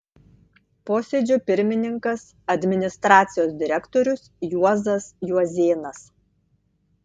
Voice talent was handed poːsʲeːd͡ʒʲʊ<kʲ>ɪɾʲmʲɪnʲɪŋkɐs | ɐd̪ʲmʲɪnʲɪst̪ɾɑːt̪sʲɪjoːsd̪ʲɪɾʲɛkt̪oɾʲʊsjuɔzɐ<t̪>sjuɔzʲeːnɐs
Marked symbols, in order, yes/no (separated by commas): no, no